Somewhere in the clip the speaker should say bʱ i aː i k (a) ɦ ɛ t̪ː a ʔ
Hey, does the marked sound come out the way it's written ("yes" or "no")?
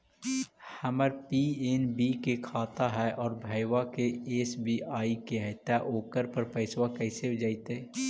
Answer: no